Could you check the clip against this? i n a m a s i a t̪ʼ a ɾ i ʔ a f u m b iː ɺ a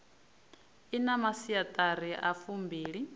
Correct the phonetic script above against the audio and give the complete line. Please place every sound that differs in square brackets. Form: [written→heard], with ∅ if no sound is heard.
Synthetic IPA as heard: i n a m a s i a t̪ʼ a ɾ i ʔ a f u m b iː ɺ [a→i]